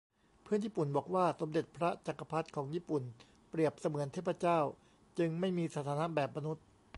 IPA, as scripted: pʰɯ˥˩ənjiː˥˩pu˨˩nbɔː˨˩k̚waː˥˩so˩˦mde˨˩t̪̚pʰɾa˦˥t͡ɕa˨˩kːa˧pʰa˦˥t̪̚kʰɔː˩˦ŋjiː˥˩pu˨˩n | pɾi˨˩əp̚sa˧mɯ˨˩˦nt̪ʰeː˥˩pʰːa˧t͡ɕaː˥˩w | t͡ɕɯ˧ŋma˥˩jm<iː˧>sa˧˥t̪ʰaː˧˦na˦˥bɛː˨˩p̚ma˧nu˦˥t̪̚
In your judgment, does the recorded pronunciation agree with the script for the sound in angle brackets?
yes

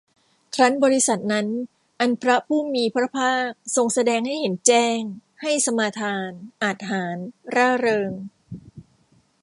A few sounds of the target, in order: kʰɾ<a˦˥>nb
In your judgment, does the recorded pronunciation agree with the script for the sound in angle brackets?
yes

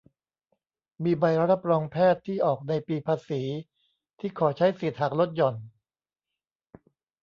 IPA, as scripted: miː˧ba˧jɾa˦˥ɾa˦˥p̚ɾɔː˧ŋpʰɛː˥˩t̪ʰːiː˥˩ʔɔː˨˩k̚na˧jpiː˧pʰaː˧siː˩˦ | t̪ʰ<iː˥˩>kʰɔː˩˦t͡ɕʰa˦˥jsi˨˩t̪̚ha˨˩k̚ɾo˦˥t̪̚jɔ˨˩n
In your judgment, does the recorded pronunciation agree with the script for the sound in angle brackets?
yes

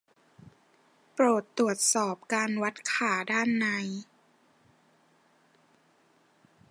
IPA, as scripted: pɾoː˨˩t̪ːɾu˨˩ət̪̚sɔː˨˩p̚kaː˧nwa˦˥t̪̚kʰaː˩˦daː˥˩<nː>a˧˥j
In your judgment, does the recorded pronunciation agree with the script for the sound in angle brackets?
yes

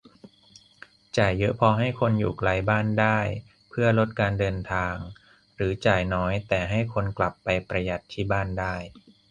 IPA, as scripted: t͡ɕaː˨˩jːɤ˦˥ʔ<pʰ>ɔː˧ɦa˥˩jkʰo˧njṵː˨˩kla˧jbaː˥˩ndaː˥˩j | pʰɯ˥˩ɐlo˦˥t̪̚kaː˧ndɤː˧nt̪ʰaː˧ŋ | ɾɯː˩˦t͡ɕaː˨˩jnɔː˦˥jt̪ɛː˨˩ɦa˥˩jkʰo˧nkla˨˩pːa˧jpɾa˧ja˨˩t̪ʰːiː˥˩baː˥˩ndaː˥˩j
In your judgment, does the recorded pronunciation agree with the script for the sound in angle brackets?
yes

